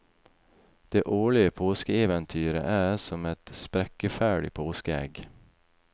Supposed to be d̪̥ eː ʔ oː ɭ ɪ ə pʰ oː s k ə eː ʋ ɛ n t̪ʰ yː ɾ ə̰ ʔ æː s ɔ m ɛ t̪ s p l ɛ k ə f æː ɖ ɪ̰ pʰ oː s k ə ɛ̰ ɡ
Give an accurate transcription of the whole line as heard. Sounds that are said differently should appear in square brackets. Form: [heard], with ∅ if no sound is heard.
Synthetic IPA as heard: d̪̥ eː ʔ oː ɭ ɪ ə pʰ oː s k ə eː ʋ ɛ n t̪ʰ yː ɾ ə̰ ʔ æː s ɔ m ɛ t̪ s p [ɾ] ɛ k ə f æː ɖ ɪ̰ pʰ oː s k ə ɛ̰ ɡ